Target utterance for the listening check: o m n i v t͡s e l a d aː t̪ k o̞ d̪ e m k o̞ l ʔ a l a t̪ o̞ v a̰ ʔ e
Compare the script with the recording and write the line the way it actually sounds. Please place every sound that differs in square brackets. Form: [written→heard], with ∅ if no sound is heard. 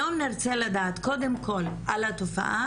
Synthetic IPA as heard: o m n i [v→ʁ] t͡s e l a d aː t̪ k o̞ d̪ e m k o̞ l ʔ a l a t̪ o̞ [v→f] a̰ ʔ [e→a]